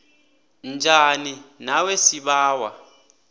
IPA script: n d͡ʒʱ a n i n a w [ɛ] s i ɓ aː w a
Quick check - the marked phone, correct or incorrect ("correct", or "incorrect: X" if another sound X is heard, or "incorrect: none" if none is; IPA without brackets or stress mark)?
incorrect: e